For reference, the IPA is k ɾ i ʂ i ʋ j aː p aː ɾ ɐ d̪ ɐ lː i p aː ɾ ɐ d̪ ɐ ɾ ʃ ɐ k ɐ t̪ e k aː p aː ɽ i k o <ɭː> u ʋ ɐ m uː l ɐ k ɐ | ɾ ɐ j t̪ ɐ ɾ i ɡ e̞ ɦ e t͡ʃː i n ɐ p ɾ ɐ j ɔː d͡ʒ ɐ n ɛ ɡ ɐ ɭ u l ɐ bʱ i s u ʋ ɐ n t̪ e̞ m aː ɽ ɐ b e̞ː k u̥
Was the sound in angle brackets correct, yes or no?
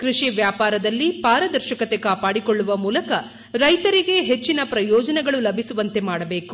yes